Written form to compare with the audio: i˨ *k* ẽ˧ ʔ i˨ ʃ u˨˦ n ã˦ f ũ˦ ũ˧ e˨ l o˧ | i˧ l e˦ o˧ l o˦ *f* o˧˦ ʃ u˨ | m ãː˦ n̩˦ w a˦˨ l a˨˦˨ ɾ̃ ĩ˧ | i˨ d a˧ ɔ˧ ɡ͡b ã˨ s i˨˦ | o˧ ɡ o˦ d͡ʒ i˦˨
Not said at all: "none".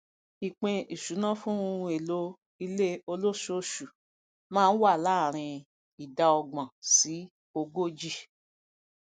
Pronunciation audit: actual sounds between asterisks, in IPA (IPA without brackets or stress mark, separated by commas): k͡p, ʃ